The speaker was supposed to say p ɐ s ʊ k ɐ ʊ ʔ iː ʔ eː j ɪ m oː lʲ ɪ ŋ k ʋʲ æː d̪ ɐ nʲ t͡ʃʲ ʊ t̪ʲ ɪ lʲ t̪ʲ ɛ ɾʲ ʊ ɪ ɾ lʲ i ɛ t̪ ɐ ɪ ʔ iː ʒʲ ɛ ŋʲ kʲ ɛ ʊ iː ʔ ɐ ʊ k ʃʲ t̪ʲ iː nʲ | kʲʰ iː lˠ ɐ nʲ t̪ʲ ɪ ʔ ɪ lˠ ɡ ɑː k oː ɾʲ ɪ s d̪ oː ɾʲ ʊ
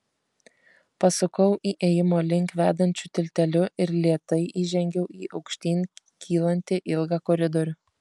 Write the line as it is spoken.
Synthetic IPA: p ɐ s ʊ k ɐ ʊ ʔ iː ʔ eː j ɪ m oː lʲ ɪ ŋ k ʋʲ æː d̪ ɐ nʲ t͡ʃʲ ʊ t̪ʲ ɪ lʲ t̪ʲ ɛ lʲ ʊ ɪ ɾ lʲ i ɛ t̪ ɐ ɪ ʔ iː ʒʲ ɛ ŋʲ ɡʲ ɛ ʊ iː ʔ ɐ ʊ k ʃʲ t̪ʲ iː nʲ | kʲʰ iː lˠ ɐ nʲ t̪ʲ ɪ ʔ ɪ lˠ ɡ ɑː k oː ɾʲ ɪ d̪ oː ɾʲ ʊ